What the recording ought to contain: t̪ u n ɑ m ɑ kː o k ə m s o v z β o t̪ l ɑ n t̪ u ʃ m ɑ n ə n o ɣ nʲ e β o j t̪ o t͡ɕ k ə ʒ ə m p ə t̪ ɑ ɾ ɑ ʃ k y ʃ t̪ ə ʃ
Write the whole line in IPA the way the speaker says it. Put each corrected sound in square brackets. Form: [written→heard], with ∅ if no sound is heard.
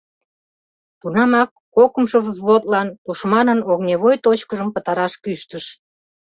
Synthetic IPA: t̪ u n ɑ m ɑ kː o k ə m [s→ʃ] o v z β o t̪ l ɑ n t̪ u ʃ m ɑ n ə n o ɣ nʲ e β o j t̪ o t͡ɕ k ə ʒ ə m p ə t̪ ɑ ɾ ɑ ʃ k y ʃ t̪ ə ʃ

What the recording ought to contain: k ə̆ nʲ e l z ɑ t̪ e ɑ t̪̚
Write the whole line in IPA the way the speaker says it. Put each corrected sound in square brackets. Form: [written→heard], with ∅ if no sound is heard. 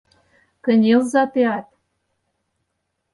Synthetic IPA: k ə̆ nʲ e l z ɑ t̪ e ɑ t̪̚

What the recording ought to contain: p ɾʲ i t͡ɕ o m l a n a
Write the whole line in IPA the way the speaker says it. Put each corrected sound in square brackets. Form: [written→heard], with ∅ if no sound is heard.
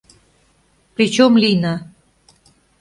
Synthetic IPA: p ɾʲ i t͡ɕ o m l [a→i] n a

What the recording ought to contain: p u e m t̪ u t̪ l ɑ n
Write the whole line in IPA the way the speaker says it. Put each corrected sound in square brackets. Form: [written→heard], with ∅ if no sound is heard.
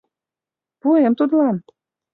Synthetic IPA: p u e m t̪ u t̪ l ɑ n

